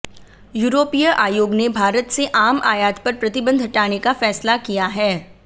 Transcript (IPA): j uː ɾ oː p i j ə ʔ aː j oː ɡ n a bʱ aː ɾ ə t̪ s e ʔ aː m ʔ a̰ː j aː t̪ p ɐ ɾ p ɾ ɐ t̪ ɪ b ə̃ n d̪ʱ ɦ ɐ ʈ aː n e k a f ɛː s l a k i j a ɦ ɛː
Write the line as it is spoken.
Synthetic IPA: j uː ɾ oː p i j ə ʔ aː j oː ɡ n e bʱ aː ɾ ə t̪ s e ʔ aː m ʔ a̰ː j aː t̪ p ɐ ɾ p ɾ ɐ t̪ ɪ b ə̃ n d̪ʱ ɦ ɐ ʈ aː n e k a f ɛː s l a k i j a ɦ ɛː

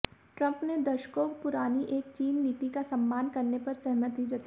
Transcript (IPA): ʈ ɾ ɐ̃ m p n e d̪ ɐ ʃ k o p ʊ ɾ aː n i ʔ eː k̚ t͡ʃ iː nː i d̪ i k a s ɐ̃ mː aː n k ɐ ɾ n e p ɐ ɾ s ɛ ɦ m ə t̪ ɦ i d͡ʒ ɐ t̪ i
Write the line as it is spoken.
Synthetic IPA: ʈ ɾ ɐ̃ m p n e d̪ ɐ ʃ k o p ʊ ɾ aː n i ʔ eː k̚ t͡ʃ iː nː i t̪ i k a s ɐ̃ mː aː n k ɐ ɾ n e p ɐ ɾ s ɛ ɦ m ə t̪ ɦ i d͡ʒ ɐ t̪ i

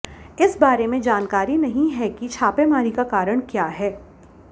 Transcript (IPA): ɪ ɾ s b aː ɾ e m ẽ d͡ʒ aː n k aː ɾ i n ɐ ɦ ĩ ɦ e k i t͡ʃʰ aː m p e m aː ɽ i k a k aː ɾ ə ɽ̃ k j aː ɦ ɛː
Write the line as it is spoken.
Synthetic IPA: ɪ s b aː ɾ e m ẽ d͡ʒ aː n k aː ɾ i n ɐ ɦ ĩ ɦ ɛ k i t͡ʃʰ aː p e m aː ɾ i k a k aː ɾ ə ɽ̃ k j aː ɦ ɛː

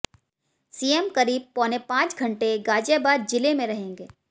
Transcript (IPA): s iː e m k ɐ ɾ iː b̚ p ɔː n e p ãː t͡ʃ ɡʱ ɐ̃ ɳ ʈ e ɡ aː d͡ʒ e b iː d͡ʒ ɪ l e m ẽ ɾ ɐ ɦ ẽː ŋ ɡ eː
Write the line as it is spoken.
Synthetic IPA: s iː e m k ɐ ɾ iː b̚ p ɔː n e p ãː t͡ʃ ɡʱ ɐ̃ ɳ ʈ e ɡ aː d͡ʒ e b aː d͡ʒ ɪ l e m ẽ ɾ ɐ ɦ ẽː ŋ ɡ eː

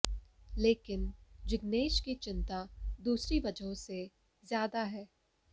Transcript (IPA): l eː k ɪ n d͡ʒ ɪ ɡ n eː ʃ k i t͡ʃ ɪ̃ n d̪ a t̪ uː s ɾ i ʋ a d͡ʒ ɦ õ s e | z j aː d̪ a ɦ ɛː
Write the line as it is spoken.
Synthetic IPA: l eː k ɪ n d͡ʒ ɪ ɡ n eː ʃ k i t͡ʃ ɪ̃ n t̪ a d̪ uː s ɾ i ʋ ɐ d͡ʒ ɦ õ s e | z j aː d̪ a ɦ ɛː

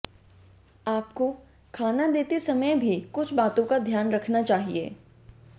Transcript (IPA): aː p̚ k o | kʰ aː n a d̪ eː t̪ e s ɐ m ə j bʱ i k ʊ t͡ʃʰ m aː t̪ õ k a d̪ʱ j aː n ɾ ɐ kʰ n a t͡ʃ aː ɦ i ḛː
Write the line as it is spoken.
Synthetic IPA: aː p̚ k o | kʰ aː n a d̪ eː t̪ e s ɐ m ə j bʱ i k ʊ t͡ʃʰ b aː t̪ õ k a d̪ʱ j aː n ɾ ɐ kʰ n a t͡ʃ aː ɦ i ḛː

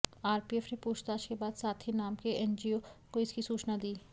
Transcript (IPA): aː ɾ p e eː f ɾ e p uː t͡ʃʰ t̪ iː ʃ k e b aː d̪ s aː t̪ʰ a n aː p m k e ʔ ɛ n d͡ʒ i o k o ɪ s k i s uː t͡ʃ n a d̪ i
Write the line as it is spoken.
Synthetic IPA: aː ɾ p i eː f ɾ e p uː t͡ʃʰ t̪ aː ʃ k e b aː d̪ s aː t̪ʰ i n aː m k e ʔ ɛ n d͡ʒ i o k o ɪ s k i s uː t͡ʃ n a d̪ iː

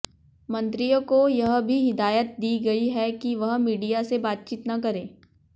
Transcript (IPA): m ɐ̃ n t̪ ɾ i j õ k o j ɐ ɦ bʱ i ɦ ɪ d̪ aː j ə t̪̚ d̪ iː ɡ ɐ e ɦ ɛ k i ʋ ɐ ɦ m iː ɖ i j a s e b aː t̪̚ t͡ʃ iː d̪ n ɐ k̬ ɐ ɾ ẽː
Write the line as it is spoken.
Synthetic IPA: m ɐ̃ n t̪ ɾ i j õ k o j ɐ ɦ bʱ i ɦ ɪ d̪ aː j ə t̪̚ d̪ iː ɡ ɐ i ɦ ɛ k i ʋ ɐ ɦ m iː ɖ i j a s e b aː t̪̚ t͡ʃ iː t̪ n ɐ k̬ ɐ ɾ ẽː

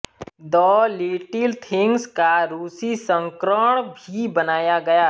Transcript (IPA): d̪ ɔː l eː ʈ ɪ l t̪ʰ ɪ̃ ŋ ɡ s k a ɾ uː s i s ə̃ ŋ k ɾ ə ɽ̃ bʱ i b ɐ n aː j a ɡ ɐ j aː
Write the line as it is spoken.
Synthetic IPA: d̪ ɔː l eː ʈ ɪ l t̪ʰ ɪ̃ ŋ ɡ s k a ɾ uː s i s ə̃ ŋ k ɾ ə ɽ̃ bʱ i b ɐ n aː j a ɡ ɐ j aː

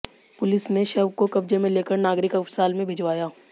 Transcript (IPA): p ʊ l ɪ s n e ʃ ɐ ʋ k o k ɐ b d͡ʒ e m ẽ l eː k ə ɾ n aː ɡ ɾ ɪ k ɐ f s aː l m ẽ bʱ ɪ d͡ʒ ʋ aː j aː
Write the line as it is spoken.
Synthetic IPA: p ʊ l ɪ s n e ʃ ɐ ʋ k o k ɐ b d͡ʒ e m ẽ l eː k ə ɾ n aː ɡ ɾ ɪ k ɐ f s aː l m ẽ bʱ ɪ d͡ʒ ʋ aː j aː

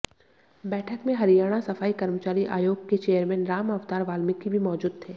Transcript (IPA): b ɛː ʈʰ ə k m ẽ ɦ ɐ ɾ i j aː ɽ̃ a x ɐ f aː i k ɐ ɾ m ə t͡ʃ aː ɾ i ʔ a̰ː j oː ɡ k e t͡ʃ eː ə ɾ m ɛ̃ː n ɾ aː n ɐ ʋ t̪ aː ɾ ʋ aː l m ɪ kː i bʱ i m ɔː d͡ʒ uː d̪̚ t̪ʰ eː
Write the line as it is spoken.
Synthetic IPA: b ɛː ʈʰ ə k m ẽ ɦ ɐ ɾ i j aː ɽ̃ a s ɐ f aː i k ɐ ɾ m ə t͡ʃ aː ɾ i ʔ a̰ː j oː ɡ k e t͡ʃ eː ə ɾ m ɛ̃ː n ɾ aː m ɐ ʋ t̪ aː ɾ ʋ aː l m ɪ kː i bʱ i m ɔː d͡ʒ uː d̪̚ t̪ʰ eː

